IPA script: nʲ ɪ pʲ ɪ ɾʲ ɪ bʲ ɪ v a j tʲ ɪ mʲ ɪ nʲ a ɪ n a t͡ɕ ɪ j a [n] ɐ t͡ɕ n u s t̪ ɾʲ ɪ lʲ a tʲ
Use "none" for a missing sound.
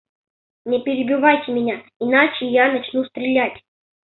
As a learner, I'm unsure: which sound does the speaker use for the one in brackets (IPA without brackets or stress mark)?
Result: n